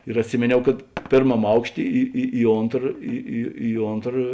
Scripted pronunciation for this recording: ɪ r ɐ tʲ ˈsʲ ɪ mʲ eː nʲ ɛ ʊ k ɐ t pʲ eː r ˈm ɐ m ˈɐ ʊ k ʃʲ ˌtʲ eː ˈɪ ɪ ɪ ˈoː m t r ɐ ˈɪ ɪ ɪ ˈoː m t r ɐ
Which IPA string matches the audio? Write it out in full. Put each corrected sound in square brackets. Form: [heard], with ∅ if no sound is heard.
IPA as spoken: ɪ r ɐ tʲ ˈsʲ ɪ mʲ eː nʲ ɛ ʊ k ɐ t pʲ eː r ˈm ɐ m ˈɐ ʊ k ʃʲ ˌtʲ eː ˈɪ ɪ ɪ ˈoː [n] t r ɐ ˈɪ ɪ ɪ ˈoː [n] t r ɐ